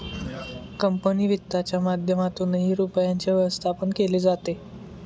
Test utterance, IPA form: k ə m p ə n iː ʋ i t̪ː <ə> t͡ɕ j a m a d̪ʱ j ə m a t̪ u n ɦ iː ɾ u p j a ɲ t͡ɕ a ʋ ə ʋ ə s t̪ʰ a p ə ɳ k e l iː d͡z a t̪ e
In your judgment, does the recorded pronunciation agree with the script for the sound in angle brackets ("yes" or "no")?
no